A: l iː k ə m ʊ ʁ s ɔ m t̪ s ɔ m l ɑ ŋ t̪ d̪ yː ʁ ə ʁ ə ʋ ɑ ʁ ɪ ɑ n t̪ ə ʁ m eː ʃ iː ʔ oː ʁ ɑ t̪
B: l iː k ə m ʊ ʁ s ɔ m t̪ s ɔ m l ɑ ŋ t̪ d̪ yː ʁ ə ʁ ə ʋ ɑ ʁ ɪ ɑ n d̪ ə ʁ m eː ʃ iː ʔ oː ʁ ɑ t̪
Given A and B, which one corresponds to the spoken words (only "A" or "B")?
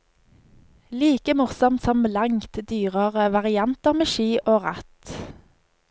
A